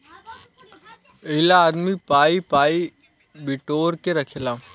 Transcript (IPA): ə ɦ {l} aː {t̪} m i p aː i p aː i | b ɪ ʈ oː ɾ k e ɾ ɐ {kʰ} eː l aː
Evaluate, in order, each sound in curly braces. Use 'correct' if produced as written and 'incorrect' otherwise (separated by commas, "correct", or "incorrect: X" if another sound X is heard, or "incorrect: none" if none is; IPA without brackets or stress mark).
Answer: correct, incorrect: d̪, correct